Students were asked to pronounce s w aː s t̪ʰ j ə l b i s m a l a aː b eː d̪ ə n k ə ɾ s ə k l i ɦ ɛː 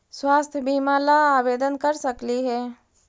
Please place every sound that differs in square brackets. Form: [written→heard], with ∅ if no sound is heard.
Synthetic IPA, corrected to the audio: s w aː s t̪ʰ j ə [l→∅] b i [s→∅] m a l a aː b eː d̪ ə n k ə ɾ s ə k l i ɦ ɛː